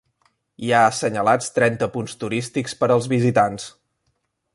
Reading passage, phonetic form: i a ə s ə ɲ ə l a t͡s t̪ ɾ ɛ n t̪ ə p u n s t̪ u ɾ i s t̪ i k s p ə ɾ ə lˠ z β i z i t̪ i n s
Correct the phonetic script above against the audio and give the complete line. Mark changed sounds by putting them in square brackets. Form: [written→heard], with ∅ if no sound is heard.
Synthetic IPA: i a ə s ə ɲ ə l a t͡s t̪ ɾ ɛ n t̪ ə p u n s t̪ u ɾ i s t̪ i k s p ə ɾ ə lˠ z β i z i t̪ [i→a] n s